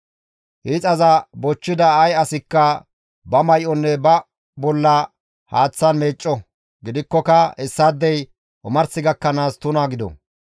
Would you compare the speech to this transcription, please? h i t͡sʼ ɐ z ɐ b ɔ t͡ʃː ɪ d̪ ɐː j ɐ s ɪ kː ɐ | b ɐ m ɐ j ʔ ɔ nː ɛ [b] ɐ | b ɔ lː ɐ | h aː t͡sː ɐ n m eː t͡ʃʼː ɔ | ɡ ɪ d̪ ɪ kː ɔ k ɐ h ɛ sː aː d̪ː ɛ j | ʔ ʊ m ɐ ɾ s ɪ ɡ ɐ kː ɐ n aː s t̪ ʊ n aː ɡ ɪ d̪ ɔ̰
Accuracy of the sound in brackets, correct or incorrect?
correct